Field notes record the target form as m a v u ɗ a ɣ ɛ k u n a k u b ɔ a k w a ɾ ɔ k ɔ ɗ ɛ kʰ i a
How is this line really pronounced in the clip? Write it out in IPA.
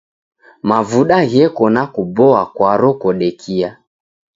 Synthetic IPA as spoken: m a v u ɗ a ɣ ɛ k ɔ n a k u b ɔ a k w a ɾ ɔ k ɔ ɗ ɛ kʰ i a